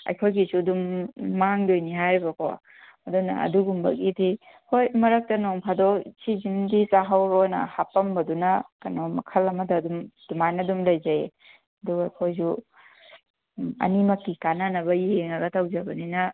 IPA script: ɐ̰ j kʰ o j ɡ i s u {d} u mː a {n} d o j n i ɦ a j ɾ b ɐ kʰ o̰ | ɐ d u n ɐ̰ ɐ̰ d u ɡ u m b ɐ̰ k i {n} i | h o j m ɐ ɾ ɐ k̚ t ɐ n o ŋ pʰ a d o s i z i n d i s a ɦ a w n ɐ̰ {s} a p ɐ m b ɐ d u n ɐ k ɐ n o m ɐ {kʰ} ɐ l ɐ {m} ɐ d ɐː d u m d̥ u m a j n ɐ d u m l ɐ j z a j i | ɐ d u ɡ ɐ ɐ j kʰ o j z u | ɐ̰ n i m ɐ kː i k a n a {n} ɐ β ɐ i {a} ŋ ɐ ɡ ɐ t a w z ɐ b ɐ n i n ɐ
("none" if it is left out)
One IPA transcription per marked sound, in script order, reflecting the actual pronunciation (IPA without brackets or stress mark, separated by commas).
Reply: d, ŋ, d, h, kʰ, m, n, e